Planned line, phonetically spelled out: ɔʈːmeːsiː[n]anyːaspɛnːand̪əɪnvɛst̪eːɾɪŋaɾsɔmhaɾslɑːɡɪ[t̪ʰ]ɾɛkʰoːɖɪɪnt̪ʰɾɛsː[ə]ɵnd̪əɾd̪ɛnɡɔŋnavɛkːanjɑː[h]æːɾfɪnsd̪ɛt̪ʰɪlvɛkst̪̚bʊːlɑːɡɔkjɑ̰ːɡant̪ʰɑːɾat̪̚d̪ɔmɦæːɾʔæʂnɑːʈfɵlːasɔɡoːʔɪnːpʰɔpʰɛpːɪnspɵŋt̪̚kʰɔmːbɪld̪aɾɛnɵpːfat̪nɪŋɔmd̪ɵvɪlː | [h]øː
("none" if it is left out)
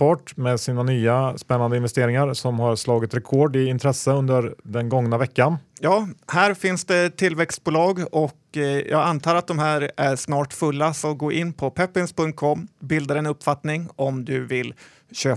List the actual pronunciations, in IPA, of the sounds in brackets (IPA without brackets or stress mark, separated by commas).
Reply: n, t̪, ə, h, ɕ